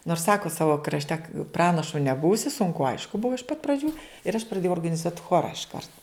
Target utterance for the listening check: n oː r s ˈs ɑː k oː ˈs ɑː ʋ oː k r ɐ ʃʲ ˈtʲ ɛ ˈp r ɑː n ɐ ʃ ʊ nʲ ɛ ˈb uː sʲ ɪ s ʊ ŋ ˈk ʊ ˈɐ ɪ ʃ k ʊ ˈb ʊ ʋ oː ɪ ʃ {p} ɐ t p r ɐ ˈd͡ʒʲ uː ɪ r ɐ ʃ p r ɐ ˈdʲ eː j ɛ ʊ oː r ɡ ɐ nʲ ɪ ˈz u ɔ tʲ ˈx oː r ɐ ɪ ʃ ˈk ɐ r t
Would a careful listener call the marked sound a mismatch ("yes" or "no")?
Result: no